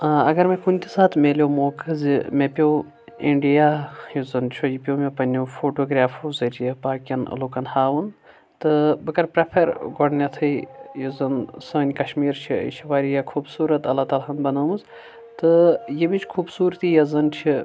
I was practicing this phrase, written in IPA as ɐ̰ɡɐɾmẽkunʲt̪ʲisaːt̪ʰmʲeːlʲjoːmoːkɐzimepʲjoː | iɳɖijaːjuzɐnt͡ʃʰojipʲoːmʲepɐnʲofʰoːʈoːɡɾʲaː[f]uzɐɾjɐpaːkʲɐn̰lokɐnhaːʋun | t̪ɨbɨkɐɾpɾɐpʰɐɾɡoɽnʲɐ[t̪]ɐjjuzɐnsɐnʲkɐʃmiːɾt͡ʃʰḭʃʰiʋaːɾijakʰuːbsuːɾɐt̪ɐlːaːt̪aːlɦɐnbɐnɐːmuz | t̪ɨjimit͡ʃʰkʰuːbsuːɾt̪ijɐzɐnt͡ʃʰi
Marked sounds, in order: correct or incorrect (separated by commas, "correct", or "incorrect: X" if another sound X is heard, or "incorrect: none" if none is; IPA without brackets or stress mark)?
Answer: correct, incorrect: t̪ʰ